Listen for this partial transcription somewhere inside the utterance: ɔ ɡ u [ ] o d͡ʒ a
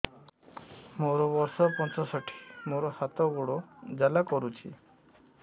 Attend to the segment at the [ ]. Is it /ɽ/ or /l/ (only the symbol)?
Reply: ɽ